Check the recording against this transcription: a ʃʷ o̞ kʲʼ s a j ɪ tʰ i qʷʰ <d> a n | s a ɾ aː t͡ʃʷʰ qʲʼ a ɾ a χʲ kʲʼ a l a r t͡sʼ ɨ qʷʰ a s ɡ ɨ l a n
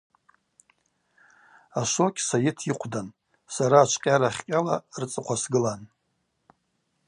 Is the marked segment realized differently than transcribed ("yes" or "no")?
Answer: no